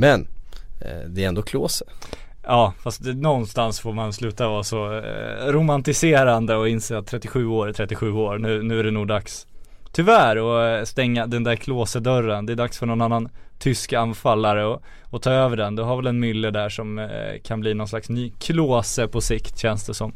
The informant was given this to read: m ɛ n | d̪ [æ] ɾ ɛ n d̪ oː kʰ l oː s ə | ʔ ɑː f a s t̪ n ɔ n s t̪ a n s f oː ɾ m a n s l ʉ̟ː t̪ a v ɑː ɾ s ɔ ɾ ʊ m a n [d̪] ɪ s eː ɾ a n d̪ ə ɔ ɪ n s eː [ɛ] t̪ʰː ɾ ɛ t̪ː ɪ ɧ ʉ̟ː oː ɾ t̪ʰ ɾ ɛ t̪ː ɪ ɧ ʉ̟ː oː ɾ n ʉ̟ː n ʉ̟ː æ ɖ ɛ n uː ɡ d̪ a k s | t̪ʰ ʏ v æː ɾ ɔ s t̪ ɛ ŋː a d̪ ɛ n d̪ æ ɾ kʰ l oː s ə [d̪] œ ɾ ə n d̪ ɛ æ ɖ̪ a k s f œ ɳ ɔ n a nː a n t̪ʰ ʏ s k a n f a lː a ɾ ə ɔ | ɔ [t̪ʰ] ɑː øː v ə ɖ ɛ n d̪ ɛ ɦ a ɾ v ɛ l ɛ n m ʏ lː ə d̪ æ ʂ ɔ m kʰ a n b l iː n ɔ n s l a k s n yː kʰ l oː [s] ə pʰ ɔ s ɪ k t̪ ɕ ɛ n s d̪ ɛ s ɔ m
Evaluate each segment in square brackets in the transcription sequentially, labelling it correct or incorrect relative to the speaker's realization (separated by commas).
incorrect, incorrect, incorrect, correct, correct, correct